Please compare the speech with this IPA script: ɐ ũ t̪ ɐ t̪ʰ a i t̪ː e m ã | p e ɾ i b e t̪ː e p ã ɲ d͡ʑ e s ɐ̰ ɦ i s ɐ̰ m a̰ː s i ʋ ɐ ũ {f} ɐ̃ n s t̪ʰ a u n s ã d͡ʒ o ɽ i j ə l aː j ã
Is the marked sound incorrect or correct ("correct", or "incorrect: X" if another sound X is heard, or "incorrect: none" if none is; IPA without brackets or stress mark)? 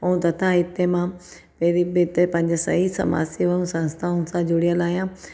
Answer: incorrect: s